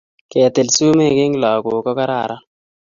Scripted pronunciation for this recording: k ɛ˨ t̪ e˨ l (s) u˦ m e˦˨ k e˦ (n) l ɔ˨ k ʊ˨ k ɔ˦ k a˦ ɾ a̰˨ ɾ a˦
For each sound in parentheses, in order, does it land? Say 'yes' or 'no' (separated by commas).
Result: yes, no